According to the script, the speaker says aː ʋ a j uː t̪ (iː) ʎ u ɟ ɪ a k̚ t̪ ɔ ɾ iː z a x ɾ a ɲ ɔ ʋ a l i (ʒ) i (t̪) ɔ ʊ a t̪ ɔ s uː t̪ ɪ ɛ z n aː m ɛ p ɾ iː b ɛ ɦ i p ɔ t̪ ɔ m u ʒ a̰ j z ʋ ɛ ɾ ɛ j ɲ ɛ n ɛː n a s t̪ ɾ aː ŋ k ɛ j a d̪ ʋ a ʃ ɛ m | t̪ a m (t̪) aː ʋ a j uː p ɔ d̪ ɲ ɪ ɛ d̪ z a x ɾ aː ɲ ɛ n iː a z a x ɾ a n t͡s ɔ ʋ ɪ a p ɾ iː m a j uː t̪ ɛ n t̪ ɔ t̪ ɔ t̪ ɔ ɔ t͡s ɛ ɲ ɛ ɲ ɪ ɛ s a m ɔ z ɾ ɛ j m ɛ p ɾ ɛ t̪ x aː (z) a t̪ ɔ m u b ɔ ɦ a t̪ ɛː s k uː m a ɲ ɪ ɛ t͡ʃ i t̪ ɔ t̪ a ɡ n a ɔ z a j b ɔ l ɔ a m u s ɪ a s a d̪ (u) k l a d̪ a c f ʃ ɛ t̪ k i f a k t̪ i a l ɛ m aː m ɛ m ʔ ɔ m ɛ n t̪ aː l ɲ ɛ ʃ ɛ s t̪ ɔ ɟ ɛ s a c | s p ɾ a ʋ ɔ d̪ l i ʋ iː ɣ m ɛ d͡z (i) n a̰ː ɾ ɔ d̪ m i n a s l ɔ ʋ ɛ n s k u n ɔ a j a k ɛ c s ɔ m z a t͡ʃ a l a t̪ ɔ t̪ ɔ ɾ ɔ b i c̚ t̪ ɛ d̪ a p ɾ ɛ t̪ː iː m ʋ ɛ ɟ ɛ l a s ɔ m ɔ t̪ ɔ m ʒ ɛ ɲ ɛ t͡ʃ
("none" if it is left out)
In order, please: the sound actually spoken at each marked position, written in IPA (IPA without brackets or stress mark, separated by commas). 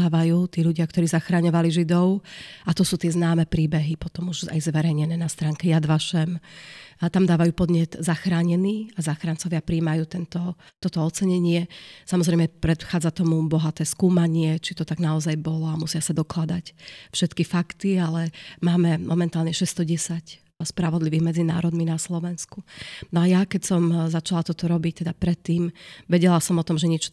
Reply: iː, ʒ, d̪, d̪, d͡z, ɔ, i